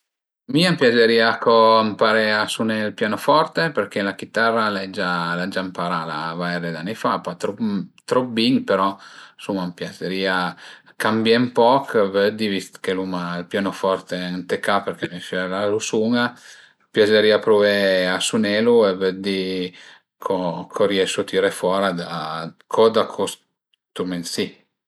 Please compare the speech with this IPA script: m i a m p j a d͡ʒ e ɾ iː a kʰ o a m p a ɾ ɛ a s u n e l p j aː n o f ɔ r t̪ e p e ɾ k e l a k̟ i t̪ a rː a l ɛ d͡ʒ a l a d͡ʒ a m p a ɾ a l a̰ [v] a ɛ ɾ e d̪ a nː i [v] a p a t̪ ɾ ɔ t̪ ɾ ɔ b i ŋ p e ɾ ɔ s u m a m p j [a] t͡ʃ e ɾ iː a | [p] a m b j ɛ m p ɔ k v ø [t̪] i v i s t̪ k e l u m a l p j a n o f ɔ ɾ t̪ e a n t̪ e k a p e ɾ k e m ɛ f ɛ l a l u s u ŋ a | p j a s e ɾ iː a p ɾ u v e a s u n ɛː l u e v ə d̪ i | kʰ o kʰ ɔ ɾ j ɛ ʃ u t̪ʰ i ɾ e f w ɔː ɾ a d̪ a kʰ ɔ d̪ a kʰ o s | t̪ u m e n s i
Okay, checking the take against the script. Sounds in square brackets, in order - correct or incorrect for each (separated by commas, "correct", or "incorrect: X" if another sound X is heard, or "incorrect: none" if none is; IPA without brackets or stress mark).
correct, incorrect: f, correct, incorrect: k, incorrect: d̪